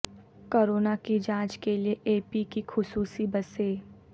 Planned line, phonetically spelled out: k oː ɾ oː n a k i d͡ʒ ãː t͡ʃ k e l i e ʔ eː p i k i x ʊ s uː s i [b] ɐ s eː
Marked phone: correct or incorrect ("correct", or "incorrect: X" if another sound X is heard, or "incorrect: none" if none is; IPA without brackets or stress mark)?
correct